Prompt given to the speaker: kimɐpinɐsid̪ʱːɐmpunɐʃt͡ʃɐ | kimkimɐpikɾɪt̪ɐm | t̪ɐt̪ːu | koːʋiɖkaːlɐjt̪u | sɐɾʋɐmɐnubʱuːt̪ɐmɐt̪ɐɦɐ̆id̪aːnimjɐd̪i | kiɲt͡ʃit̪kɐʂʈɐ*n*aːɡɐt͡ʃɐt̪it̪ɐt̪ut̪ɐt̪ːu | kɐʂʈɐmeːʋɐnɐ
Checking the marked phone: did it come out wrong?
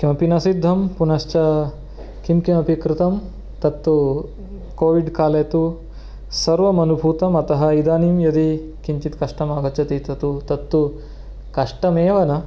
yes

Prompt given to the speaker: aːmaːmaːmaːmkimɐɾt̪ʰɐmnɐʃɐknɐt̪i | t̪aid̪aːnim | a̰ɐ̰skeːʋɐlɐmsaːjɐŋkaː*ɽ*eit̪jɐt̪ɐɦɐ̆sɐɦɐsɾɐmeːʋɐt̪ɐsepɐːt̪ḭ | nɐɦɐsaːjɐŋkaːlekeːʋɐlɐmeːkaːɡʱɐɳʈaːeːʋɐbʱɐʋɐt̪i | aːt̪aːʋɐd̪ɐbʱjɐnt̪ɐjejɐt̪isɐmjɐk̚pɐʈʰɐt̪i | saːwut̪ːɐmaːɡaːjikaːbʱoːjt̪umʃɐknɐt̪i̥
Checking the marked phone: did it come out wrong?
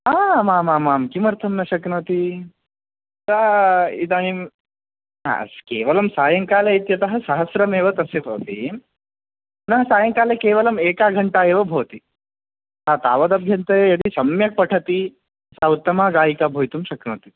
yes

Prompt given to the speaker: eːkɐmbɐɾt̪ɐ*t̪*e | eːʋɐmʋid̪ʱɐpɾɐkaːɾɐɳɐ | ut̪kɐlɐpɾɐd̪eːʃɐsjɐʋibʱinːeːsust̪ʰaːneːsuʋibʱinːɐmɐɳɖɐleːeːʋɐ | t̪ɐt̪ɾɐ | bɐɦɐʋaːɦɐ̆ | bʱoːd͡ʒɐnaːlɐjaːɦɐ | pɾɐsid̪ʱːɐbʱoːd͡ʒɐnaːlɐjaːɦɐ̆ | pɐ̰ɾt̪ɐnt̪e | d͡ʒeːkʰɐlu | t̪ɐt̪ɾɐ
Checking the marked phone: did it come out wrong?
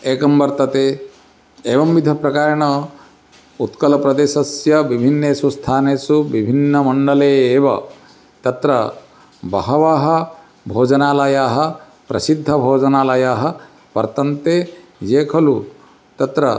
no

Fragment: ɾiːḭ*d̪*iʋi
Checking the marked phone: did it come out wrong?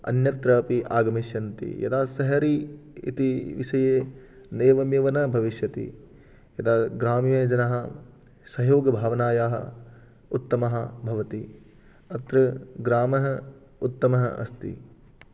yes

